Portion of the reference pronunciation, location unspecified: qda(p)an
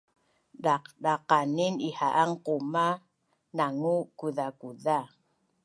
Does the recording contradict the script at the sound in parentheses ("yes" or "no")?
yes